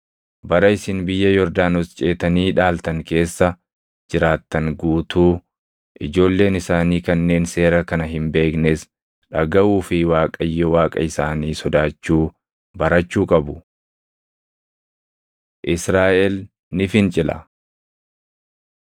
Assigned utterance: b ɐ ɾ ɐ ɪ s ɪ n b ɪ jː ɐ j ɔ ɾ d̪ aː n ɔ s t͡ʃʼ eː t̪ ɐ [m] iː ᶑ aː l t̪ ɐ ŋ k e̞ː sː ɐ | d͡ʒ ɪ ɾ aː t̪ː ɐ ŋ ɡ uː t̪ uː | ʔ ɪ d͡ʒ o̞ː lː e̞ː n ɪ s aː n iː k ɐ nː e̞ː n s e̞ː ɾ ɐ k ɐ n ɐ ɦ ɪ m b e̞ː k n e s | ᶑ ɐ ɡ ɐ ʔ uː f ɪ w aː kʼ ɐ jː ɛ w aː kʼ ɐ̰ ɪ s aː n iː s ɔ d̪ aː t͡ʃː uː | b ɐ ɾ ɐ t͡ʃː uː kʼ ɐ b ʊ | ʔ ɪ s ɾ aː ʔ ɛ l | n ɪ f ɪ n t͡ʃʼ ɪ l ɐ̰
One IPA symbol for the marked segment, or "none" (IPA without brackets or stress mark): n